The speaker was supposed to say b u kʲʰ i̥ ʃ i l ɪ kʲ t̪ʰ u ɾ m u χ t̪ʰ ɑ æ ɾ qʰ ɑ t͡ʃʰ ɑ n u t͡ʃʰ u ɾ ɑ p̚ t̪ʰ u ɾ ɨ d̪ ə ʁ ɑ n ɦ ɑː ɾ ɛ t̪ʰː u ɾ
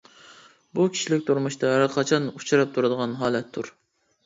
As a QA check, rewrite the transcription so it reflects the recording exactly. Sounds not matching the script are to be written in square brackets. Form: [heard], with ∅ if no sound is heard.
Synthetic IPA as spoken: b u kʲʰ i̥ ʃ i l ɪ kʲ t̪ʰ u ɾ m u [ʃ] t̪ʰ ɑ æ ɾ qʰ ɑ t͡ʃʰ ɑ n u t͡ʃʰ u ɾ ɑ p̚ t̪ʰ u ɾ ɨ d̪ ə ʁ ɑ n ɦ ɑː [l] ɛ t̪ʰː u ɾ